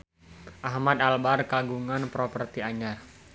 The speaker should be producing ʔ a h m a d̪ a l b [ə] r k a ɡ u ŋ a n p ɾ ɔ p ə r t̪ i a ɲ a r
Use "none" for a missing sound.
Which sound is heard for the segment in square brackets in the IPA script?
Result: a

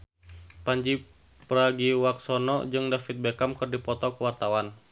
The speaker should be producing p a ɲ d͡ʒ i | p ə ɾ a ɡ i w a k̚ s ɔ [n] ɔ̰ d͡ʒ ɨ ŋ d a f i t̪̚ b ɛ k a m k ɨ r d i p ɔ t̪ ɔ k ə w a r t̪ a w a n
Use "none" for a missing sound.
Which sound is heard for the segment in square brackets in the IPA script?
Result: n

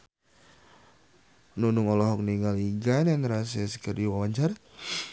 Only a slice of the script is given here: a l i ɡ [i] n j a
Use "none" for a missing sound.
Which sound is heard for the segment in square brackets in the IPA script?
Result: a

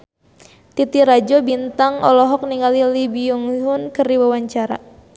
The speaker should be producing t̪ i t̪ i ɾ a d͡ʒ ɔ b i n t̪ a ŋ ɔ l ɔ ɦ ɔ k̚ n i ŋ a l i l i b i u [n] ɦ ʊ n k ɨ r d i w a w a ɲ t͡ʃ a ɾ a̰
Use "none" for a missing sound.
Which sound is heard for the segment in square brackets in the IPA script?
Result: ŋ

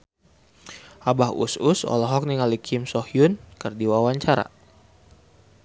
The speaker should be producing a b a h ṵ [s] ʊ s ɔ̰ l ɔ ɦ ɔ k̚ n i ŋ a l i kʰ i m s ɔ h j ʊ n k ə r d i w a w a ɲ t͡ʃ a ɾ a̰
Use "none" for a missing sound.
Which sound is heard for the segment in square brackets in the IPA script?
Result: s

